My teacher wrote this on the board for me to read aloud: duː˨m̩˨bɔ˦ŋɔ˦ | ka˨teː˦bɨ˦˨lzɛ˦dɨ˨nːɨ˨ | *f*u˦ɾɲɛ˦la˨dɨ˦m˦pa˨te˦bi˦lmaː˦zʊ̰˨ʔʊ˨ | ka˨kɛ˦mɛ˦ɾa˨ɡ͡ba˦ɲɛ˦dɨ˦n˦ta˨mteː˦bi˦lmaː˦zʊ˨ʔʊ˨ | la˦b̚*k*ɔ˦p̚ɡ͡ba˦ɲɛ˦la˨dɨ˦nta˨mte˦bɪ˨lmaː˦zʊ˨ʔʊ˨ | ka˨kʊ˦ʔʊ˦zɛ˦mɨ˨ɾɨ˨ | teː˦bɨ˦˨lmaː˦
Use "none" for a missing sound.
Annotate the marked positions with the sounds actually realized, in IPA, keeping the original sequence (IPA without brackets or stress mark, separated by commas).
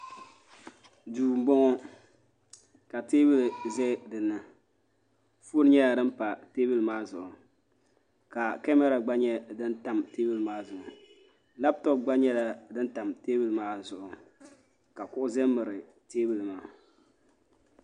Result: f, t